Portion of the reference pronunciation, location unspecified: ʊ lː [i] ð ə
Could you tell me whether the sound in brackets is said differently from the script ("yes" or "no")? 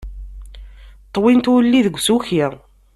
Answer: no